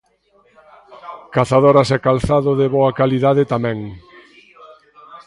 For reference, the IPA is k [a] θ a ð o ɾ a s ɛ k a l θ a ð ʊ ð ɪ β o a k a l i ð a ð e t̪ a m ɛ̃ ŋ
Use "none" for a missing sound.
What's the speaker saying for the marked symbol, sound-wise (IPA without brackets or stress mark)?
a